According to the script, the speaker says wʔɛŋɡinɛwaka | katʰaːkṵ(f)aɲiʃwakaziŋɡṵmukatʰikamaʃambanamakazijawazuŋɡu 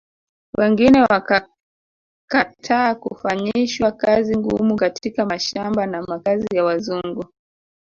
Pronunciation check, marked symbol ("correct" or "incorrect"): correct